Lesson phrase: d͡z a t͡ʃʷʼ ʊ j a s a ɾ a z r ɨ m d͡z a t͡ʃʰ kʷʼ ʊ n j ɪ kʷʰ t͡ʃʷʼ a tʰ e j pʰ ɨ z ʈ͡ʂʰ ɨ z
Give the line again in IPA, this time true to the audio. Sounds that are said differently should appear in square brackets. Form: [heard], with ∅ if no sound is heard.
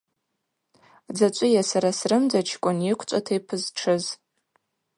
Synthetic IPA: d͡z a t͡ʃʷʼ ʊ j a s a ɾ a [s] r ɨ m d͡z a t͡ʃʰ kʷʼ ʊ n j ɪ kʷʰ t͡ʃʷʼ a tʰ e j pʰ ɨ z ʈ͡ʂʰ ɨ z